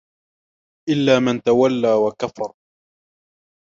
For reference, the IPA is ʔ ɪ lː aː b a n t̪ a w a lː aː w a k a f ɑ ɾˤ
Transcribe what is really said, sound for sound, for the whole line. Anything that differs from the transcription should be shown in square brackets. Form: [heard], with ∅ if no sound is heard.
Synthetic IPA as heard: ʔ ɪ lː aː [m] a n t̪ a w a lː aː w a k a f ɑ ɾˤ